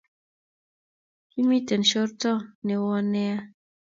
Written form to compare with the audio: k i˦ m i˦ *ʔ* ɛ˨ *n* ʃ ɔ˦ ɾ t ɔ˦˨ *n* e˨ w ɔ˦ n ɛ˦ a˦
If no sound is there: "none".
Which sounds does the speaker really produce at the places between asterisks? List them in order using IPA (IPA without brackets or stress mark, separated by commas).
t, n, n